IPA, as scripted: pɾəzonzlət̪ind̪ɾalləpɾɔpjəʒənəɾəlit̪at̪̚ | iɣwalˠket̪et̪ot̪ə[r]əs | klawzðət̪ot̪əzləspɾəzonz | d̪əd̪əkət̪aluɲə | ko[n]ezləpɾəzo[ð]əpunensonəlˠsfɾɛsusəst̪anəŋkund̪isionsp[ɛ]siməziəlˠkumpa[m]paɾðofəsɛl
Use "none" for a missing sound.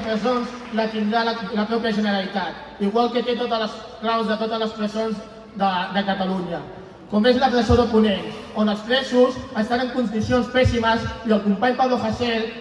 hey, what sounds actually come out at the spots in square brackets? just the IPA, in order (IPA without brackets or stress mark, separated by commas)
l, m, ð, ɛ, ɲ